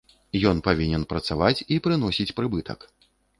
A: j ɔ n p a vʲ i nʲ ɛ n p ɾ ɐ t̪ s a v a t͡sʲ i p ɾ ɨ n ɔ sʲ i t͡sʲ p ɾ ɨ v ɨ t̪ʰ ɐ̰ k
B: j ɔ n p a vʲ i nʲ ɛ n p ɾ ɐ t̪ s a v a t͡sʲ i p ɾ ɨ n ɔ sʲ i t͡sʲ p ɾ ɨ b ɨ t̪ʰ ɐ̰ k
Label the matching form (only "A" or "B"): B